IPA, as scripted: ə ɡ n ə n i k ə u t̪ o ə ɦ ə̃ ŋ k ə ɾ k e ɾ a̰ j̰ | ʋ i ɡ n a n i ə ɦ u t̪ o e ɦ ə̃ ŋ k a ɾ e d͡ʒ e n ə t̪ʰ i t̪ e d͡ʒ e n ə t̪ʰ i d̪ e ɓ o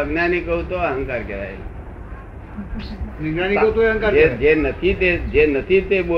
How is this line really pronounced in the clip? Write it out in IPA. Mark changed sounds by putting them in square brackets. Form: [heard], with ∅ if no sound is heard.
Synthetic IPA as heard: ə ɡ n [a] n i k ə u t̪ o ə ɦ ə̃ ŋ k [a] ɾ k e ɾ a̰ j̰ | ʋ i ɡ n a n i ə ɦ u t̪ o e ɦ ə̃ ŋ k a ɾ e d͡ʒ e n ə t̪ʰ i t̪ e d͡ʒ e n ə t̪ʰ i [t̪] e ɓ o